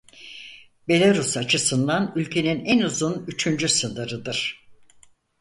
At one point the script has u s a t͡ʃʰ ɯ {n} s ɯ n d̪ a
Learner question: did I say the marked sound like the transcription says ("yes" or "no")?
no